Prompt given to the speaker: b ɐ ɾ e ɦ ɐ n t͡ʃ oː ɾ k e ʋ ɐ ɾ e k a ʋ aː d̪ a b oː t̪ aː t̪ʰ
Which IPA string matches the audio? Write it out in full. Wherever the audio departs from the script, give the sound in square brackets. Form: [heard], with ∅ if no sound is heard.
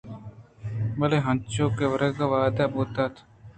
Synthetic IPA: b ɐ [l] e ɦ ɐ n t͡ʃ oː [∅] k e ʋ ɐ ɾ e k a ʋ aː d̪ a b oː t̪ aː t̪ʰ